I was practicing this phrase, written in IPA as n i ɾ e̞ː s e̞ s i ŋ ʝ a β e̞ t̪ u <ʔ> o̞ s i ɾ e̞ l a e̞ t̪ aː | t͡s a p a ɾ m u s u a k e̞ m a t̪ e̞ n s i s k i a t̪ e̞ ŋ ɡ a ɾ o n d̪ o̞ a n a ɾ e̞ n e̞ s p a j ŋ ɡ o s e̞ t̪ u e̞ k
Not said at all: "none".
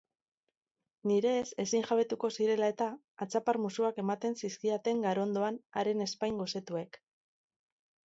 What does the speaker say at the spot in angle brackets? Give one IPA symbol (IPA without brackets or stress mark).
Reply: k